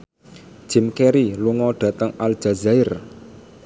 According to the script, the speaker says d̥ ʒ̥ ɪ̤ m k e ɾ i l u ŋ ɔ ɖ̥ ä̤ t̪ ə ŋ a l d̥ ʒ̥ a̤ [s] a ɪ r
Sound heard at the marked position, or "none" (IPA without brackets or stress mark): z